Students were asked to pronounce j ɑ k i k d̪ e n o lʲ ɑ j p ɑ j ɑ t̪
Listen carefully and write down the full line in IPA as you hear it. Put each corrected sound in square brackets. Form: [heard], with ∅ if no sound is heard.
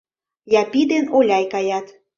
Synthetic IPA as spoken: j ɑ [p] i [∅] d̪ e n o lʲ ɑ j [k] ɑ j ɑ t̪